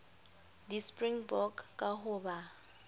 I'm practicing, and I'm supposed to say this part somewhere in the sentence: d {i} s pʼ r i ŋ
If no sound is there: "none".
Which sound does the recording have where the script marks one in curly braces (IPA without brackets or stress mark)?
i